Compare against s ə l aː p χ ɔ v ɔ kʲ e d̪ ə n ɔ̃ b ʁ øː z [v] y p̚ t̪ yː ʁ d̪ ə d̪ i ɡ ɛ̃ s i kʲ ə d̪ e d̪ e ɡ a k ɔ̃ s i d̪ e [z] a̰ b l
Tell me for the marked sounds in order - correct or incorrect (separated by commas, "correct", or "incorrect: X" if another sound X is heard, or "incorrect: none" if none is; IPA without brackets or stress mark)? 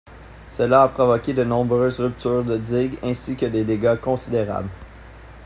incorrect: ʁ, incorrect: ʁ